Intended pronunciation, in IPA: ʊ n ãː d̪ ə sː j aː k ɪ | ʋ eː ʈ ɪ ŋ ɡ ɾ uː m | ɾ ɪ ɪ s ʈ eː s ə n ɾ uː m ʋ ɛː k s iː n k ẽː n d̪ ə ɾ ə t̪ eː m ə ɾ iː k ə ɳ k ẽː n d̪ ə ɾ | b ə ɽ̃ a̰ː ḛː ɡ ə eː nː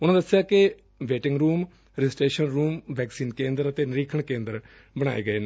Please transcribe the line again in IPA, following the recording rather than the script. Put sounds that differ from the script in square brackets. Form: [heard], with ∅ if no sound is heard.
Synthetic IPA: ʊ n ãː d̪ ə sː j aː k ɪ | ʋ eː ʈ ɪ ŋ ɡ ɾ uː m | ɾ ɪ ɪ s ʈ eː [ʃ] ə n ɾ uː m ʋ ɛː k s iː n k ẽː n d̪ ə ɾ ə t̪ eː [n] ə ɾ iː [kʰ] ə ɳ k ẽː n d̪ ə ɾ | b ə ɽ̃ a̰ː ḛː ɡ ə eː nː